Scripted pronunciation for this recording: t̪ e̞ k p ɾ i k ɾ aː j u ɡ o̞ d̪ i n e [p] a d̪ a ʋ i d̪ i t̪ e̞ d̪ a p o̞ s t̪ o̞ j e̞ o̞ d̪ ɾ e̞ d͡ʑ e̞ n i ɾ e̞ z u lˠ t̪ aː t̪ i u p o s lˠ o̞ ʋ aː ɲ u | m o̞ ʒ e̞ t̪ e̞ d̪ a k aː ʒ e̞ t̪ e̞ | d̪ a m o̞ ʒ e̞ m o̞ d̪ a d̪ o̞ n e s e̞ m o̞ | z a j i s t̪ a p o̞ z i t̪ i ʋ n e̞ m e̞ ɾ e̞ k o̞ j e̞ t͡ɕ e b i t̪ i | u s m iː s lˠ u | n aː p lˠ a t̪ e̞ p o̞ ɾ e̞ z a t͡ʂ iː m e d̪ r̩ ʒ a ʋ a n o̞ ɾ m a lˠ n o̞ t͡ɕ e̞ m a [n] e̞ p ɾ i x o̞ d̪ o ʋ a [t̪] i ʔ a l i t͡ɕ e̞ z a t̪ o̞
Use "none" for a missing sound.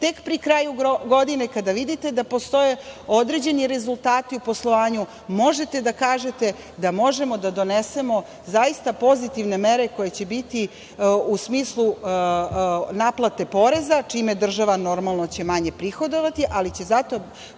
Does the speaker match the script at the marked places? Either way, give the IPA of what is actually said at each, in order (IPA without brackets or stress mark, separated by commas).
k, ɲ, t̪